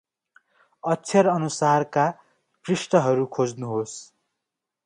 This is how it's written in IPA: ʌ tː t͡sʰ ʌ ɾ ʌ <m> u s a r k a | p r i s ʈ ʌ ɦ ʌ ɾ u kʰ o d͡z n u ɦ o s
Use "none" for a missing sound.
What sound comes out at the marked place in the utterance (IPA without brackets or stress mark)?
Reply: n